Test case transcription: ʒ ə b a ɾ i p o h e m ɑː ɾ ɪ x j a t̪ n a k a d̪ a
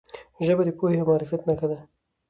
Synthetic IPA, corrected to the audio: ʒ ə b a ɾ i p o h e m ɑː ɾ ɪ f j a t̪ n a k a d̪ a